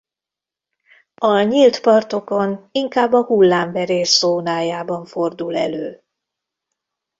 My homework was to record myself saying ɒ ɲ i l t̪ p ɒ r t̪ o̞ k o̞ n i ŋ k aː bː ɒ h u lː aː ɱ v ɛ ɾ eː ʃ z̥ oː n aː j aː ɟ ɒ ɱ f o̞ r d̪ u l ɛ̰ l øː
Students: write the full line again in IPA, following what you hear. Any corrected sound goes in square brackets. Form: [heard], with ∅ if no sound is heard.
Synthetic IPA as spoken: ɒ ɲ i l t̪ p ɒ r t̪ o̞ k o̞ n i ŋ k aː bː ɒ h u lː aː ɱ v ɛ ɾ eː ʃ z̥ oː n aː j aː [b] ɒ ɱ f o̞ r d̪ u l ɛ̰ l øː